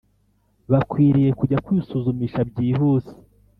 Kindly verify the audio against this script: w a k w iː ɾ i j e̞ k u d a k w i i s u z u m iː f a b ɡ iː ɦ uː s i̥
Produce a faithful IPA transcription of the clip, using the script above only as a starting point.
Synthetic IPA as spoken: β a k w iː ɾ i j e̞ k u ɟ a k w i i s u z u m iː ʃ a b ɟ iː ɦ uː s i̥